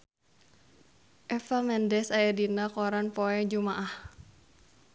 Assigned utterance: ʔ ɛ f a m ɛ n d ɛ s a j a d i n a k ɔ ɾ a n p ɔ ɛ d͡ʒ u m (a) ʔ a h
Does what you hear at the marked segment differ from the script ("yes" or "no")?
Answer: no